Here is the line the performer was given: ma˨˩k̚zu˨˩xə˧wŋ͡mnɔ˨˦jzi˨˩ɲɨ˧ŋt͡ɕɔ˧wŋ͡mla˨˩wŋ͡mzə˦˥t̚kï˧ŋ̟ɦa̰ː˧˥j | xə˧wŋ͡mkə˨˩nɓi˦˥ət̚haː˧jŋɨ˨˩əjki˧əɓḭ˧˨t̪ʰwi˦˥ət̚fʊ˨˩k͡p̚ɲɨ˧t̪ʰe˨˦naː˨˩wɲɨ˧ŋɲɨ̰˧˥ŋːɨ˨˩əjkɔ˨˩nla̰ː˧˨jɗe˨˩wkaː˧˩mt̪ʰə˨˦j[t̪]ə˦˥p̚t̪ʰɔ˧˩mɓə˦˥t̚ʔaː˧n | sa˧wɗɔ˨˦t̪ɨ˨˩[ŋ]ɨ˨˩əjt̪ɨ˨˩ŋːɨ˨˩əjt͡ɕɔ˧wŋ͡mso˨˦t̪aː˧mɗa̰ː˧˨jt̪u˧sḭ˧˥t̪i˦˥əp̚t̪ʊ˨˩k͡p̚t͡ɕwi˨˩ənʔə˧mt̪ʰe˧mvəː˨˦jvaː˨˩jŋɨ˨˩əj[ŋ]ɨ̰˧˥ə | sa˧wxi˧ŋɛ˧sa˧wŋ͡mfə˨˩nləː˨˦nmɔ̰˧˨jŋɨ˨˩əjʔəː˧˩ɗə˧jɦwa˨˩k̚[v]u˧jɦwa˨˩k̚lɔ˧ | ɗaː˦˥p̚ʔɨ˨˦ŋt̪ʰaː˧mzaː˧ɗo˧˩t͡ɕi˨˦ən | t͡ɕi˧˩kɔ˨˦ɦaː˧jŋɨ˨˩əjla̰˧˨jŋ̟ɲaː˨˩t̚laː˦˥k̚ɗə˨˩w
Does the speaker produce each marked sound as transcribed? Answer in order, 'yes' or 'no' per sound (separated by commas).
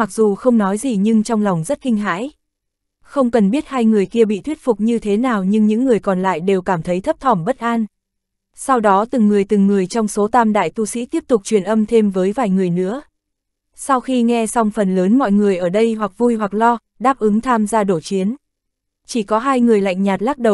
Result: no, no, no, yes